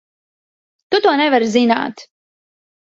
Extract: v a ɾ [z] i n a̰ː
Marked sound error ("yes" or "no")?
no